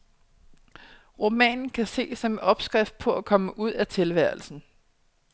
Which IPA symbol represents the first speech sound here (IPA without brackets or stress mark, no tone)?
ʁ